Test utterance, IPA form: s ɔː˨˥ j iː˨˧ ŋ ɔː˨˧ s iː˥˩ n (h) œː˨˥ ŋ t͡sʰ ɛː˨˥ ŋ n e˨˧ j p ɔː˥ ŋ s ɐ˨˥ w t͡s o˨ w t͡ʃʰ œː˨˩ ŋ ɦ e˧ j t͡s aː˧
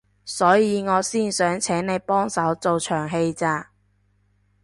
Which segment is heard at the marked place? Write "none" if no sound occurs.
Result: s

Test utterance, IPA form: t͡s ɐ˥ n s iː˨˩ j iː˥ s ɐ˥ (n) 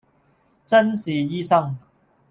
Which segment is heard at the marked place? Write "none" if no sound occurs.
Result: ŋ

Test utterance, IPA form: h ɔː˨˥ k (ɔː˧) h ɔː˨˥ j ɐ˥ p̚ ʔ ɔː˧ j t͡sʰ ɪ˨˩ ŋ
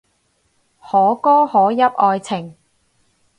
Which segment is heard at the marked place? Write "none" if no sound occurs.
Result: ɔː˥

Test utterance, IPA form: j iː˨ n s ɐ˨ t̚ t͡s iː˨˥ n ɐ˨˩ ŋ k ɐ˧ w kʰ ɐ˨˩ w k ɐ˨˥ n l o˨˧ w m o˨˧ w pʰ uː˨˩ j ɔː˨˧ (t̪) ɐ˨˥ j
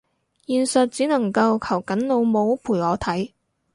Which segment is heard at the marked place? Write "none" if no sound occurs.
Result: t̪ʰ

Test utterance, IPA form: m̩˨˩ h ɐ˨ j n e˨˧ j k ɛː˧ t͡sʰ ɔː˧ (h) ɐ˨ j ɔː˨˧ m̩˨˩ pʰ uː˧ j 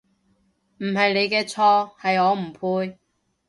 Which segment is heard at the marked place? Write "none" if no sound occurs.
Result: h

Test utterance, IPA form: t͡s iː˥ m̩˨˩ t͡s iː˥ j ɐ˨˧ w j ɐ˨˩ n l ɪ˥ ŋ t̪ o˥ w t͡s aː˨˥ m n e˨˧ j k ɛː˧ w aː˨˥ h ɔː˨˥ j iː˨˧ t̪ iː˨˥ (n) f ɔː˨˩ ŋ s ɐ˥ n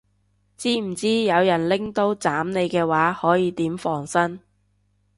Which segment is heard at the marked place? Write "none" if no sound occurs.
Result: m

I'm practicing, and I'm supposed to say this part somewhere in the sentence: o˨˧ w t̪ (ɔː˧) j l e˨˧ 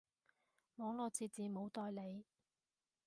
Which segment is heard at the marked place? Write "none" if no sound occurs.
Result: ɔː˧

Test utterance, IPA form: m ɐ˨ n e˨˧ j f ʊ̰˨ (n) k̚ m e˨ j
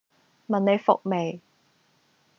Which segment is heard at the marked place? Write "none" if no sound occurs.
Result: none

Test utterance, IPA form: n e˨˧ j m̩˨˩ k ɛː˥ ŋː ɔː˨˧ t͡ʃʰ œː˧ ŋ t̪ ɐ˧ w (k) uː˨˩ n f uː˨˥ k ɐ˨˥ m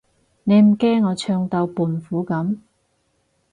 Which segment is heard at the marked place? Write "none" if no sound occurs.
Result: p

